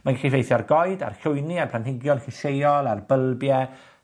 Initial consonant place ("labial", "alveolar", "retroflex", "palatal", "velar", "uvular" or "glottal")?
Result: labial